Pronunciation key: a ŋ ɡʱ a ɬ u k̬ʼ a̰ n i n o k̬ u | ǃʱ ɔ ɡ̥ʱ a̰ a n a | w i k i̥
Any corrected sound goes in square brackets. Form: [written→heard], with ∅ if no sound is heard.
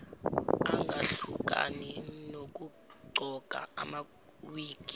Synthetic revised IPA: a ŋ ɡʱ a ɬ u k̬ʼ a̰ n i n o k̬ u | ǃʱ ɔ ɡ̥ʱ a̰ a [n→m] a | w [i→iː] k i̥